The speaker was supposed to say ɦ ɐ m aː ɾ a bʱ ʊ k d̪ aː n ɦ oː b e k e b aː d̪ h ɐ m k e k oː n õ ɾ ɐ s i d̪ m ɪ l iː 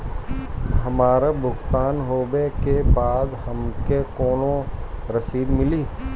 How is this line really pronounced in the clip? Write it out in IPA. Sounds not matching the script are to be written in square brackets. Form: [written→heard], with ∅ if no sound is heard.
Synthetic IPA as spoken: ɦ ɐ m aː ɾ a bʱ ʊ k [d̪→t̪] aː n ɦ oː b e k e b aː d̪ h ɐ m k e k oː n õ ɾ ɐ s [i→iː] d̪ m ɪ l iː